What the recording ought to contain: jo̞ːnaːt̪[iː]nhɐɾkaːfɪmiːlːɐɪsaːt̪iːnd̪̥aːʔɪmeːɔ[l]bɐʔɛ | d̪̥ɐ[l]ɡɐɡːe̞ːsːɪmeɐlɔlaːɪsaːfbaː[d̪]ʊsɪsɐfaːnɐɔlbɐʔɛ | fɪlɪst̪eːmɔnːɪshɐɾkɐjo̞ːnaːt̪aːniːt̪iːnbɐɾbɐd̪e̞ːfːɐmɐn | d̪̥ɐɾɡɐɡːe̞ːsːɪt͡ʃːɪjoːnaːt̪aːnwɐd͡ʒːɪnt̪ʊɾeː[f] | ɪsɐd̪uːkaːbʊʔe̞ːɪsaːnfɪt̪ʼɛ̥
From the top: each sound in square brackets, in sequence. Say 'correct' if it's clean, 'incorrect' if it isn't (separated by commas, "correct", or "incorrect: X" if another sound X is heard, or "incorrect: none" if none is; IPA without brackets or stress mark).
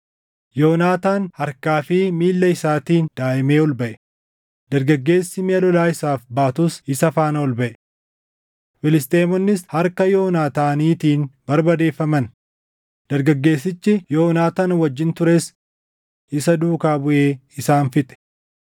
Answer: incorrect: aː, correct, incorrect: ɾ, incorrect: t̪, incorrect: s